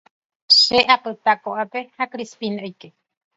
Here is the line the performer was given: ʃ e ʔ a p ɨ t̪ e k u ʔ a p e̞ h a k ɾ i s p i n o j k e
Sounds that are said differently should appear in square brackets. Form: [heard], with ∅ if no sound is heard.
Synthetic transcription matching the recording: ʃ e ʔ a p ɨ t̪ [a] k [o] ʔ a p e̞ h a k ɾ i s p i n o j k e